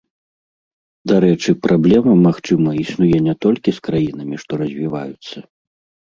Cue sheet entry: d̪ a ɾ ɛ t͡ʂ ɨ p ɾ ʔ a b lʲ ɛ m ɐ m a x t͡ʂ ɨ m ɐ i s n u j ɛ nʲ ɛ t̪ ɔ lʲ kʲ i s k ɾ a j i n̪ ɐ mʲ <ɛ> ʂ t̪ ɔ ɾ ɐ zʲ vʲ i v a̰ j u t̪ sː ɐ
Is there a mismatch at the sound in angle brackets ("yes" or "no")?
yes